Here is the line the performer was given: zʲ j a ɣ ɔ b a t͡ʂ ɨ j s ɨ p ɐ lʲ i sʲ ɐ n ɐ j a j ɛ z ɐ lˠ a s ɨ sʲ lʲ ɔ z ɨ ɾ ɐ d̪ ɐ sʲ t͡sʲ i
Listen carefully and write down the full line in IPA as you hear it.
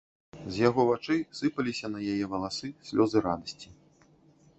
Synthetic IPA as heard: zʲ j a ɣ ɔ v a t͡ʂ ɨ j s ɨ p ɐ lʲ i sʲ ɐ n ɐ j a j ɛ v ɐ lˠ a s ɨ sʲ lʲ ɔ z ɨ ɾ a d̪ ɐ sʲ t͡sʲ i